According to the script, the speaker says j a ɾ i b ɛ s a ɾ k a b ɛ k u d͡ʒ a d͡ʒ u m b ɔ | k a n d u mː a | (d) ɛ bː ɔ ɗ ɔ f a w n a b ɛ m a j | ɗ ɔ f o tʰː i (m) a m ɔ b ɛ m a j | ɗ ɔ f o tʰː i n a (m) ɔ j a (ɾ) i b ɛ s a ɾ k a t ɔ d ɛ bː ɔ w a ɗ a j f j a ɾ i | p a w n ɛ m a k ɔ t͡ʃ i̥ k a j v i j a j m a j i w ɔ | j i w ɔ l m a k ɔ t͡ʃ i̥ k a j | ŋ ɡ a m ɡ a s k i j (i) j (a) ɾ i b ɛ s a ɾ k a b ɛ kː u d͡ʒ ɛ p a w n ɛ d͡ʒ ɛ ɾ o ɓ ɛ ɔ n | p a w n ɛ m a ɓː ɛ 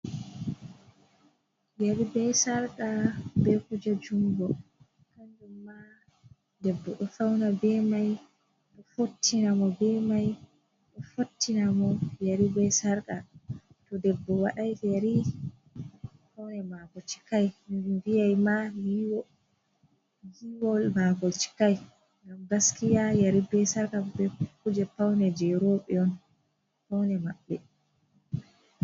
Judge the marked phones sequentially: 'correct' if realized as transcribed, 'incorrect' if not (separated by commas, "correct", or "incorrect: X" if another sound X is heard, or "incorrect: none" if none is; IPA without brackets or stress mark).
correct, incorrect: n, correct, correct, incorrect: a, correct